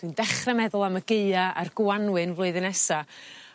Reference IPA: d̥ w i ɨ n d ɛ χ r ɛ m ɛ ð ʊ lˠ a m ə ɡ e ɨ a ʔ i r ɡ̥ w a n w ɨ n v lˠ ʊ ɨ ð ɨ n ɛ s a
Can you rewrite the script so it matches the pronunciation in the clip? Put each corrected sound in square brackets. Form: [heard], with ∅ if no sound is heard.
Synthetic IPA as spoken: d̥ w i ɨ n d ɛ χ r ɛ m ɛ ð ʊ lˠ a m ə ɡ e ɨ a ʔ [a] r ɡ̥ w a n w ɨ n v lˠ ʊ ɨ ð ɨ n ɛ s a